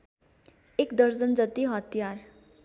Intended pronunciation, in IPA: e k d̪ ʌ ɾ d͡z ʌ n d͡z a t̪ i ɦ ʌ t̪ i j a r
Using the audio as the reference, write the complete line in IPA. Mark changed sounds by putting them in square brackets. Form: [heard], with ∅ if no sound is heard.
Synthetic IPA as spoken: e k d̪ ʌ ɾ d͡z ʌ n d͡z [ʌ] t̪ i ɦ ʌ t̪ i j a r